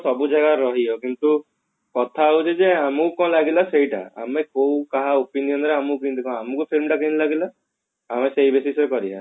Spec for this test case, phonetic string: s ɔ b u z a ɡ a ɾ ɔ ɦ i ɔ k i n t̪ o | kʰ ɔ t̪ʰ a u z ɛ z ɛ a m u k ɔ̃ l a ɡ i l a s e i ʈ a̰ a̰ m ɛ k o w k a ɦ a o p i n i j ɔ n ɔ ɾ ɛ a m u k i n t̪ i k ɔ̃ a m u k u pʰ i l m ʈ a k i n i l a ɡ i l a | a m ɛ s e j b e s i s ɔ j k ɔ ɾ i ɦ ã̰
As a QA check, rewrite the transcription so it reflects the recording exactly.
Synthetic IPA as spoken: s ɔ b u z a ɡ a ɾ ɔ ɦ i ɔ k i n t̪ u | k ɔ t̪ʰ a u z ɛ z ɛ a m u k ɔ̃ l a ɡ i l a s e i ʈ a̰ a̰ m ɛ k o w k a ɦ a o p i n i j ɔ n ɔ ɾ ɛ a m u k i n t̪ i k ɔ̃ a m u k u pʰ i l m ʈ a k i n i l a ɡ i l a | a m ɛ s e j b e s i s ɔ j k ɔ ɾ i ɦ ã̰